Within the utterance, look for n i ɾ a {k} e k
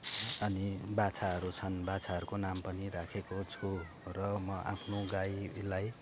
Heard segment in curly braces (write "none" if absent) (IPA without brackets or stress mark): kʰ